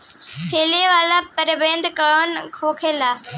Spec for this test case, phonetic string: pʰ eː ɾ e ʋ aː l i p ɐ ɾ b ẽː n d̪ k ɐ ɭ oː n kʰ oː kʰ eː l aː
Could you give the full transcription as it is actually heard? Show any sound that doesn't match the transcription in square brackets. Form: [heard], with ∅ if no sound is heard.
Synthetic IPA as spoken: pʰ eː [l] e ʋ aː l [a] p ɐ ɾ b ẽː n d̪ k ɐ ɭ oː n kʰ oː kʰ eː l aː